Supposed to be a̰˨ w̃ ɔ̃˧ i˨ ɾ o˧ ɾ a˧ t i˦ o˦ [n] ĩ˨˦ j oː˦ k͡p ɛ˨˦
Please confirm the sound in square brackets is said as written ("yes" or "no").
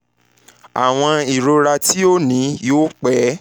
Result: yes